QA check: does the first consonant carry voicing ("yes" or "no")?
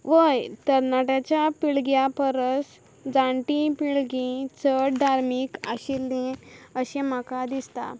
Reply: yes